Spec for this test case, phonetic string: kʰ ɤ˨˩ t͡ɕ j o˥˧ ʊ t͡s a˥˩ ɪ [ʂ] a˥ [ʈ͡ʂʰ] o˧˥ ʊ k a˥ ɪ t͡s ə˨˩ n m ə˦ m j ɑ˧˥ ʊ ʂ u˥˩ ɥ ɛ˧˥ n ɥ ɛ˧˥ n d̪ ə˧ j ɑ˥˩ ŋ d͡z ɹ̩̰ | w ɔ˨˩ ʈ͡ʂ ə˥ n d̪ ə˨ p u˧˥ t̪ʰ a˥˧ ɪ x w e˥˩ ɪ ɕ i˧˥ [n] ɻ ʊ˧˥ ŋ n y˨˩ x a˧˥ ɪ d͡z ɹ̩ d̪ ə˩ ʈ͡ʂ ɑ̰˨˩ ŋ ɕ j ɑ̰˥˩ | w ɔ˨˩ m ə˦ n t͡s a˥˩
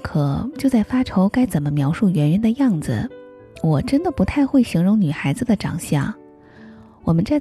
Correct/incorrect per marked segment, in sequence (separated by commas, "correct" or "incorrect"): incorrect, correct, incorrect